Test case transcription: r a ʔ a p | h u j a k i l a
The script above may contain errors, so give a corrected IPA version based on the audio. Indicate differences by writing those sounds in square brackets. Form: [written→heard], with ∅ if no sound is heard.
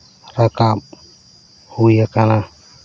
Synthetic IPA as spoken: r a [ʔ→k] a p | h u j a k [i→a] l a